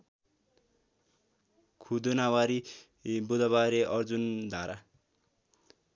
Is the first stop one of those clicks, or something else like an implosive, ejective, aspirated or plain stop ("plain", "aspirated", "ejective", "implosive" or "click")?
aspirated